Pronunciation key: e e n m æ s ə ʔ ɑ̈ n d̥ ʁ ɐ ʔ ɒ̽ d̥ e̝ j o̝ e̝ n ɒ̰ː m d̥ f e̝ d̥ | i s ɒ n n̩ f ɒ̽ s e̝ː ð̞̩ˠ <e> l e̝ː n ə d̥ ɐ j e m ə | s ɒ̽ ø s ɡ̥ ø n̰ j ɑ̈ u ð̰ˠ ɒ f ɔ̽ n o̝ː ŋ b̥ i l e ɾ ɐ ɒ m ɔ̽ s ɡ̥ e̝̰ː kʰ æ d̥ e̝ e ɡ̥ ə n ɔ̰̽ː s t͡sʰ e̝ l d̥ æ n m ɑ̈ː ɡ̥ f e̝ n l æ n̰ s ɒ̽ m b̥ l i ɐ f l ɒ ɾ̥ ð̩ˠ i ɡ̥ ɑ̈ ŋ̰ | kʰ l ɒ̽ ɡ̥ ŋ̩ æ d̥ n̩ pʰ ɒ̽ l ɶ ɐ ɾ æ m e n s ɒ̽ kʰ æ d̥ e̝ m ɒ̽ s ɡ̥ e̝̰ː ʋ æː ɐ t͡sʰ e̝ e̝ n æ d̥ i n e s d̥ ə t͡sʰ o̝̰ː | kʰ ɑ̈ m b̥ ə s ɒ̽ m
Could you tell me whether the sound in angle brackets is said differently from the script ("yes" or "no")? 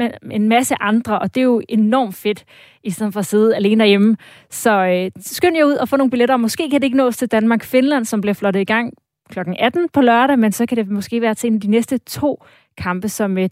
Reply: yes